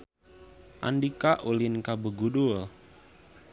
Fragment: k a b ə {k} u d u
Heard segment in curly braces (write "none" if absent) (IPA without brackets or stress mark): ɡ